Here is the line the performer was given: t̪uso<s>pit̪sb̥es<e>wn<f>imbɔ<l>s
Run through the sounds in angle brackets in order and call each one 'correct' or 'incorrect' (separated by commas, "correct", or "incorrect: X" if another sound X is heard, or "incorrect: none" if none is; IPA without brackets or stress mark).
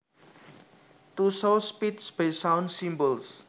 correct, incorrect: a, incorrect: s, correct